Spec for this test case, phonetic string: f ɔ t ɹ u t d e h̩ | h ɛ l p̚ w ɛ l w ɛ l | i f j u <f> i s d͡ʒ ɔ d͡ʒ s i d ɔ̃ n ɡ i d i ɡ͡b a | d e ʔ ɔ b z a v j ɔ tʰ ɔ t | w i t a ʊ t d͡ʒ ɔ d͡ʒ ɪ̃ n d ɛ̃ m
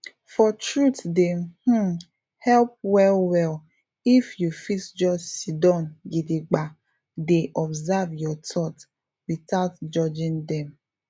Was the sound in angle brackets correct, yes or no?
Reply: yes